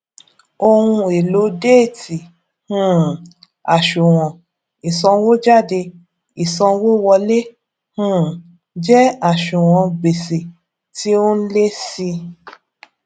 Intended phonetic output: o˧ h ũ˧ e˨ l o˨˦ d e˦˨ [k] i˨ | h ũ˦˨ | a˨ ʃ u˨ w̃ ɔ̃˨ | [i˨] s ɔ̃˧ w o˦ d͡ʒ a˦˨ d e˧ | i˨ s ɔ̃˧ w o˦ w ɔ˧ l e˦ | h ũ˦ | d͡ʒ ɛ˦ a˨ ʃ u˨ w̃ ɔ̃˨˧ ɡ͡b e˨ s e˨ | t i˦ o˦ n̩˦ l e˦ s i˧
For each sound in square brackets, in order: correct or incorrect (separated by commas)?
incorrect, correct